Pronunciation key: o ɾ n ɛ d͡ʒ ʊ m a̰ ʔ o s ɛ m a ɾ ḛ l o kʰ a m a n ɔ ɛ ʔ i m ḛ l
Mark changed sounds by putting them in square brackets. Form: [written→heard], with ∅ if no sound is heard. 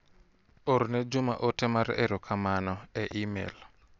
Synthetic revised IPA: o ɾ n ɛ d͡ʒ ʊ m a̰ ʔ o [s→t] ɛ m a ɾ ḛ [l→ɾ] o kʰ a m a n ɔ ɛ ʔ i m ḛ l